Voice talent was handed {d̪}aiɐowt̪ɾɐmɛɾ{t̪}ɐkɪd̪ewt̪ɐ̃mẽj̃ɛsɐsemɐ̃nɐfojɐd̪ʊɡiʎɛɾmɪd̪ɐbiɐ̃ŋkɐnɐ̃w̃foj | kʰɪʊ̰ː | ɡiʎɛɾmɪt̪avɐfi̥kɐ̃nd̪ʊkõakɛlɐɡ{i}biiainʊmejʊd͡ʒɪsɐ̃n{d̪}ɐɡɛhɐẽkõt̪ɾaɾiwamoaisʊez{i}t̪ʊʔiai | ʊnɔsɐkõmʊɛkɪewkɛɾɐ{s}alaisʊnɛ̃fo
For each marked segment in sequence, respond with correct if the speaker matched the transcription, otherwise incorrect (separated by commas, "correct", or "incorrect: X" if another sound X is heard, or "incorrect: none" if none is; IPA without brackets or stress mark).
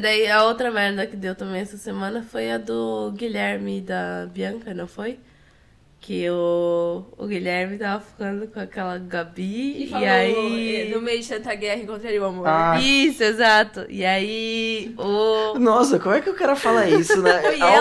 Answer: correct, incorrect: d̪, incorrect: a, incorrect: t̪, incorrect: a, incorrect: f